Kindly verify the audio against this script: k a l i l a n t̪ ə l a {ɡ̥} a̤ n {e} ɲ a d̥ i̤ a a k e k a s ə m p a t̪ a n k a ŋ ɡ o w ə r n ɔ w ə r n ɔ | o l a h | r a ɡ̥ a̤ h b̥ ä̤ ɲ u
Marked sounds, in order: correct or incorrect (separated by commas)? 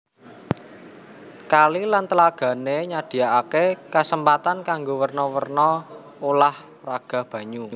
correct, correct